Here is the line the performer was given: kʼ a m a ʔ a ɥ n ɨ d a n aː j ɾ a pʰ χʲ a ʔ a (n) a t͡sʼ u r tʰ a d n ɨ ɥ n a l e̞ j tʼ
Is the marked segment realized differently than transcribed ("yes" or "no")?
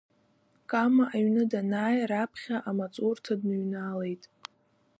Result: yes